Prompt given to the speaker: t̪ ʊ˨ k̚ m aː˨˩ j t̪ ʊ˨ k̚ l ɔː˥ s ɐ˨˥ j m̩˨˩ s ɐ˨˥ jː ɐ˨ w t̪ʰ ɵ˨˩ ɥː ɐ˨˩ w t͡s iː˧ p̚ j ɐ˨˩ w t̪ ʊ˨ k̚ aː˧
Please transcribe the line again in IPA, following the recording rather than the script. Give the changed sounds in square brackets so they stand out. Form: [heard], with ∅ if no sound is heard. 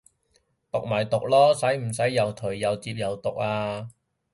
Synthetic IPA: t̪ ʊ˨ k̚ m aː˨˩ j t̪ ʊ˨ k̚ l ɔː˥ s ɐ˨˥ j m̩˨˩ s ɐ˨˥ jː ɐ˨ w t̪ʰ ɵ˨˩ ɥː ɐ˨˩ w t͡s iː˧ p̚ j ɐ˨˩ w t̪ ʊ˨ k̚ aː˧